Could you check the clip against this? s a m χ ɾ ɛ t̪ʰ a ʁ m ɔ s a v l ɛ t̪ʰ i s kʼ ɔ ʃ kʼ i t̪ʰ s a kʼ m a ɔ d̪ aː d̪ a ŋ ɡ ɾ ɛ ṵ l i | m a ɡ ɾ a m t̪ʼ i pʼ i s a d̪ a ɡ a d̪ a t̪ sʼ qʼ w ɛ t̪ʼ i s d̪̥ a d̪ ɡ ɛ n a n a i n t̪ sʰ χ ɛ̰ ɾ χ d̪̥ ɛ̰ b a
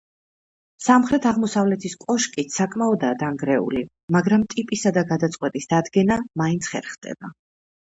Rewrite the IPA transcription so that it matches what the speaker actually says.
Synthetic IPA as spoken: s a m χ ɾ ɛ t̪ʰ a ʁ m ɔ s a v l ɛ t̪ʰ i s kʼ ɔ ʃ kʼ i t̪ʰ s a kʼ m a ɔ d̪ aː d̪ a ŋ ɡ ɾ ɛ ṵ l i | m a ɡ ɾ a m t̪ʼ i pʼ i s a d̪ a ɡ a d̪ a t̪ sʼ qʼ w ɛ t̪ʼ i s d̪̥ a d̪ ɡ ɛ n a m a i n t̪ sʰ χ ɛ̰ ɾ χ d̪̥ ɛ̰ b a